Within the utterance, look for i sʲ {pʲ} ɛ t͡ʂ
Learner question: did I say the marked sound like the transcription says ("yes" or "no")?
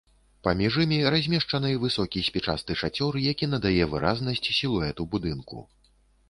yes